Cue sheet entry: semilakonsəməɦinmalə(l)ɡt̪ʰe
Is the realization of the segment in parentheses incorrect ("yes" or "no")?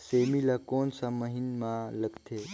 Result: yes